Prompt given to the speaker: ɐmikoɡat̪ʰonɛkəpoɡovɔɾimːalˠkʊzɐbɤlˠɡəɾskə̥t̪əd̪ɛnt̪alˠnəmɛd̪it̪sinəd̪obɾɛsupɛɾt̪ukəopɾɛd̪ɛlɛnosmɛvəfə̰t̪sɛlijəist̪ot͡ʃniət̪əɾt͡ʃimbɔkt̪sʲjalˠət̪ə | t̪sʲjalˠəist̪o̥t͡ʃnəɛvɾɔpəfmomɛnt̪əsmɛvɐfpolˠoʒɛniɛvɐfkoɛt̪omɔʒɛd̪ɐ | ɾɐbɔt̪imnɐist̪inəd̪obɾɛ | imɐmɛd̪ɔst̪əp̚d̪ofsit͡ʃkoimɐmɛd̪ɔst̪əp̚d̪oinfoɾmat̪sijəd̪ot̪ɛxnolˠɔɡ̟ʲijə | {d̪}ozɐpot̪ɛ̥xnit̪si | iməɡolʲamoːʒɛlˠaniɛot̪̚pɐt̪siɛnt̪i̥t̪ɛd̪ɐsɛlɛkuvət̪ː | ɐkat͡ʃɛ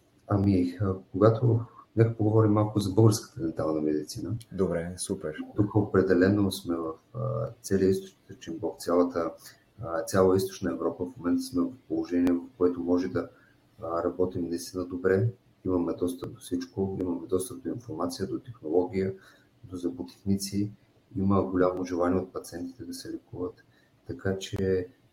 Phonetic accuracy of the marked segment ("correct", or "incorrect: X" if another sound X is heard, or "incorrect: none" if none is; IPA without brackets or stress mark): correct